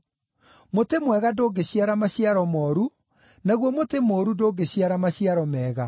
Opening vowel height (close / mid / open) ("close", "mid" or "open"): mid